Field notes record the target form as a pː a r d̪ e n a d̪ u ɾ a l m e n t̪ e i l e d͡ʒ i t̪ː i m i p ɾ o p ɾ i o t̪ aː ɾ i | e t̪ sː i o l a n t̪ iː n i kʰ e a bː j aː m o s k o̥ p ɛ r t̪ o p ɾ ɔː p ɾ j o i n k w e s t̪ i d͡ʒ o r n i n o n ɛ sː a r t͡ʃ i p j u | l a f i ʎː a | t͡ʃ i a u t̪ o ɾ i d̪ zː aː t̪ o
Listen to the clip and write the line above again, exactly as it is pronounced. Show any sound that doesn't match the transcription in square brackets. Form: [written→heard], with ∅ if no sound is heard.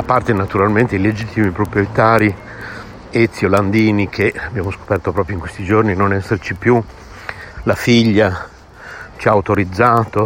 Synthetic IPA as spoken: a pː a r [d̪→t̪] e n a [d̪→t̪] u ɾ a l m e n t̪ e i l e d͡ʒ i t̪ː i m i p ɾ o p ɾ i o t̪ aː ɾ i | e t̪ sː i o l a n [t̪→d̪] iː n i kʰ e a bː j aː m o s k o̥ p ɛ r t̪ o p ɾ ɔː p ɾ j o i [n→ŋ] k w e s t̪ i d͡ʒ o r n i n o n ɛ sː [a→e] r t͡ʃ i p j u | l a f i ʎː a | t͡ʃ i a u t̪ o ɾ i d̪ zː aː t̪ o